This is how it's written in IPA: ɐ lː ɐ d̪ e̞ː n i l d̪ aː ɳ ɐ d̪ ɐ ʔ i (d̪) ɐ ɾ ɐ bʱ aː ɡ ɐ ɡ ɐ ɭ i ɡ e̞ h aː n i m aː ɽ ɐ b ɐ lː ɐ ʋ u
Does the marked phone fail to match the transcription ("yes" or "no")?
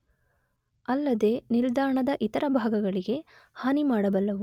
yes